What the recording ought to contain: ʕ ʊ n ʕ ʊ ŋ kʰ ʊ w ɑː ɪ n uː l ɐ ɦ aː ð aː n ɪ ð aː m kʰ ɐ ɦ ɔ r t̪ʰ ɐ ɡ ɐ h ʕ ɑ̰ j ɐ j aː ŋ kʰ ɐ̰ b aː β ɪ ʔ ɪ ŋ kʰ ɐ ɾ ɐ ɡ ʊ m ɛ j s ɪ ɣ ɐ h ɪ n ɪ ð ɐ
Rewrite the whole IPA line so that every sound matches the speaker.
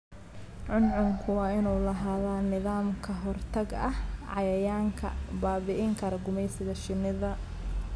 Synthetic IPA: ʕ ʊ n ʕ ʊ ŋ kʰ ʊ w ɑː ɪ n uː l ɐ ɦ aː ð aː n ɪ ð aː m kʰ ɐ ɦ ɔ r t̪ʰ ɐ ɡ ɐ h ʕ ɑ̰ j ɐ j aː ŋ kʰ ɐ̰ b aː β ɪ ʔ ɪ ŋ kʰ ɐ ɾ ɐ ɡ ʊ m ɛ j s ɪ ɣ ɐ ʃ ɪ n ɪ ð ɐ